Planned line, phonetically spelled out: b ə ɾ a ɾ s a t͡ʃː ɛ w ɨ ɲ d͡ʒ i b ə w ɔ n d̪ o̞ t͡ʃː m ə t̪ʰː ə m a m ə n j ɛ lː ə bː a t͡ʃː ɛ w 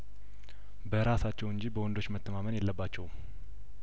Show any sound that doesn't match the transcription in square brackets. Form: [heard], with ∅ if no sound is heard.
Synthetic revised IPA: b ə ɾ a [∅] s a t͡ʃː ɛ w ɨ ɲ d͡ʒ i b ə w ɔ n d̪ o̞ t͡ʃː m ə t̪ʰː ə m a m ə n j ɛ lː ə bː a t͡ʃː ɛ w